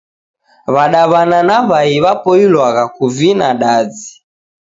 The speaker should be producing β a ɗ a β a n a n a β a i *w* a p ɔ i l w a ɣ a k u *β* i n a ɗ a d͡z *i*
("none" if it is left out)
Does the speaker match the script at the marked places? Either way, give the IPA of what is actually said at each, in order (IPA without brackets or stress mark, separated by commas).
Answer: β, v, i